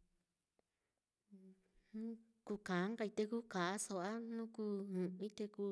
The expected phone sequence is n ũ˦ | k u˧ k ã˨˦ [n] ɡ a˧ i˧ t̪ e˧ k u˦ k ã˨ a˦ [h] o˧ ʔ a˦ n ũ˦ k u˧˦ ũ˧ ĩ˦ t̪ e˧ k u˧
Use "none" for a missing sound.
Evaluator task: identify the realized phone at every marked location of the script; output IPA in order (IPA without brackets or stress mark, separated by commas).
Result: ŋ, s